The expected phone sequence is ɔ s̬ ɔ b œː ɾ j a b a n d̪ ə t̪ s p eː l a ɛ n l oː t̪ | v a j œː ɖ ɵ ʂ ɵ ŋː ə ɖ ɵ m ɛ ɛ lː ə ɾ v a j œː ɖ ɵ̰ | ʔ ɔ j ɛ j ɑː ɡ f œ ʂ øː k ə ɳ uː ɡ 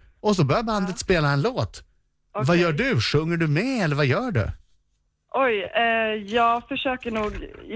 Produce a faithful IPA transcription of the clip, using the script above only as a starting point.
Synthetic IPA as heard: ɔ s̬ ɔ b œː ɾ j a b a n d̪ ə t̪ s p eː l a ɛ n l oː t̪ | v a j œː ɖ ɵ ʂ ɵ ŋː ə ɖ ɵ m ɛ ɛ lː ə ɾ v a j œː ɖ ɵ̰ | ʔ ɔ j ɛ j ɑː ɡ f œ ʂ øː k ə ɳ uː ɡ